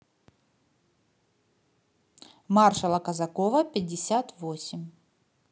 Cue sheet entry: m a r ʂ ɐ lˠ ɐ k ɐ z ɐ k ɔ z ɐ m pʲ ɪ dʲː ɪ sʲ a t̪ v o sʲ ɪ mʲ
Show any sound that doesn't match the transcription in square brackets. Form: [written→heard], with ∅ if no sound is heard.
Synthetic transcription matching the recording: m a r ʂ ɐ lˠ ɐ k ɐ z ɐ k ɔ [z→v] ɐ [m→∅] pʲ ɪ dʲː ɪ sʲ a t̪ v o sʲ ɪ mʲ